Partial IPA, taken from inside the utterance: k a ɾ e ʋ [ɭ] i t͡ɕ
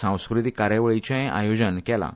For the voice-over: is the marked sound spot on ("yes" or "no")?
yes